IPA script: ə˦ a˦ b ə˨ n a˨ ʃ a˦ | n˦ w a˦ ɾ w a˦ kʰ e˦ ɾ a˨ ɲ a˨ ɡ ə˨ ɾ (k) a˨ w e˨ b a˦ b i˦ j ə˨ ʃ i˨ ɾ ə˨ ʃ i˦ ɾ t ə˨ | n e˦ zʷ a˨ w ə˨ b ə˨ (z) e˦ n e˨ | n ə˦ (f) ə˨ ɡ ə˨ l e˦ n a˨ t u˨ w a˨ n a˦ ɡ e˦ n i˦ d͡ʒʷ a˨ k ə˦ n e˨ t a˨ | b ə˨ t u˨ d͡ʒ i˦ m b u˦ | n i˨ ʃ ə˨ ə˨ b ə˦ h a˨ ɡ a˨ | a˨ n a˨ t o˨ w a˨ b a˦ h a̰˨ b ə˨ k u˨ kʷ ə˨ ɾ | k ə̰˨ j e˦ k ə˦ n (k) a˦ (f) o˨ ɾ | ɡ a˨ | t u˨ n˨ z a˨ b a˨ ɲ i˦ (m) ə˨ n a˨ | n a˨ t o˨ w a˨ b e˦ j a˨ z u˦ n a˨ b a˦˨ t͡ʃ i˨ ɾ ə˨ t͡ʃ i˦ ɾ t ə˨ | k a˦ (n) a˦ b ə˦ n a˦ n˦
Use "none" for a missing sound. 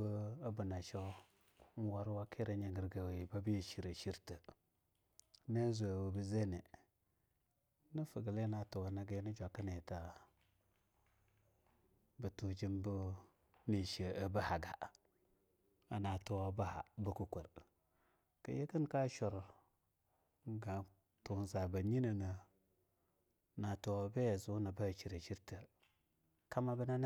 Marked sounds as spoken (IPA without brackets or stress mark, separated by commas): ɡ, z, f, k, ʃ, n, m